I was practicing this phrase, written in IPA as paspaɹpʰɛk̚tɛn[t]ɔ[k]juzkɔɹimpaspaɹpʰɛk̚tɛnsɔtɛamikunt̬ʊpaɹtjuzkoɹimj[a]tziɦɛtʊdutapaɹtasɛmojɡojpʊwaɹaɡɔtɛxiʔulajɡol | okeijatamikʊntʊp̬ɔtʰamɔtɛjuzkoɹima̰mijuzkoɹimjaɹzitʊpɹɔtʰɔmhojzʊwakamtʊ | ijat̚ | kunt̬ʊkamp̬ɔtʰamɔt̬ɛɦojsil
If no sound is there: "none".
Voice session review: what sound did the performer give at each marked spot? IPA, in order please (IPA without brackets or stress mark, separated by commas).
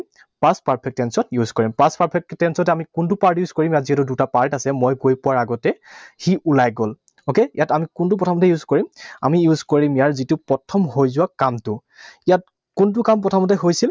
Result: s, t, a